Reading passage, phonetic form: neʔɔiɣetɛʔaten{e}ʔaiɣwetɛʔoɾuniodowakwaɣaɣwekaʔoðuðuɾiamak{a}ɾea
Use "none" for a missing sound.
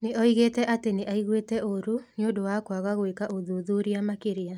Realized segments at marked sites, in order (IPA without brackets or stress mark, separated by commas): e, e